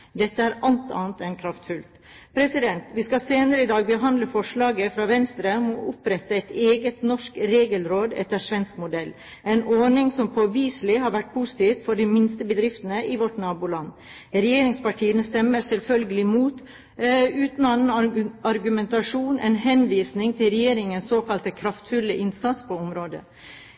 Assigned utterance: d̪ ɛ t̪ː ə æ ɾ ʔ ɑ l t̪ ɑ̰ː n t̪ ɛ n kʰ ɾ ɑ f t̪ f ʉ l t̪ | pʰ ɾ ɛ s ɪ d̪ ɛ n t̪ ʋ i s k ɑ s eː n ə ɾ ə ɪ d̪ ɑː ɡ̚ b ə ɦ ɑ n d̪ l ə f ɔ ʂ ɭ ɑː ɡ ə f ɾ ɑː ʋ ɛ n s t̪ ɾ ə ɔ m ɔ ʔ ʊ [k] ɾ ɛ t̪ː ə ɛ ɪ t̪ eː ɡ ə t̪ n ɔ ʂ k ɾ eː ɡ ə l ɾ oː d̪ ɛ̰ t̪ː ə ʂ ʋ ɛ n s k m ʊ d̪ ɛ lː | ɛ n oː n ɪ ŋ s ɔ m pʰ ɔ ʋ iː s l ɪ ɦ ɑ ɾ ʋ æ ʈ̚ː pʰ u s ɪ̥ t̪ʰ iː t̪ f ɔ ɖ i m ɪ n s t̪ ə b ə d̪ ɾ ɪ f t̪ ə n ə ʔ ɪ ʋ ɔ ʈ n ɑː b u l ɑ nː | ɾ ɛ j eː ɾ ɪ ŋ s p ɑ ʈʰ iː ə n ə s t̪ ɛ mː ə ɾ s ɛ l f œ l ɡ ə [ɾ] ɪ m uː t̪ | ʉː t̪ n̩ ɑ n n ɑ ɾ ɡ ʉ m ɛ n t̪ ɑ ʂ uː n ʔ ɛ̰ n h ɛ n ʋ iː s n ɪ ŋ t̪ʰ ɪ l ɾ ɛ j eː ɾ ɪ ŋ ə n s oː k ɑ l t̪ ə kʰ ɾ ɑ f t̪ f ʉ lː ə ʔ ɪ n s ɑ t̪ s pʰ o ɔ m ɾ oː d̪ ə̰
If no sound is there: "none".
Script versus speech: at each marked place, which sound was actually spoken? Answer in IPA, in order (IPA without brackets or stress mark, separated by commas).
p, l